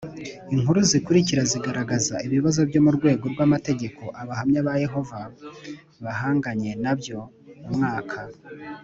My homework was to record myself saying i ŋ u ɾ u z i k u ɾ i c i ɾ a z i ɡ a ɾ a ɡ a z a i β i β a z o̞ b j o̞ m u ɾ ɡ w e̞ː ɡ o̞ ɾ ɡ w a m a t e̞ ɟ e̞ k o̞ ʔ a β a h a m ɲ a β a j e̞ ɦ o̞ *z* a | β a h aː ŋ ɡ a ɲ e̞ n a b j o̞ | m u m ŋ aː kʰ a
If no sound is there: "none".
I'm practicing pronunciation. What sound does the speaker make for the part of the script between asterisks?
v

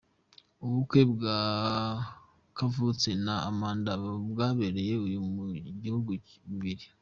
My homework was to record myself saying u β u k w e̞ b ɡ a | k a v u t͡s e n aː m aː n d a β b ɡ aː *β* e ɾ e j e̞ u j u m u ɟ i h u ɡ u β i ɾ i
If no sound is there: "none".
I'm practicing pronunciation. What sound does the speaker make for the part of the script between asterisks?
β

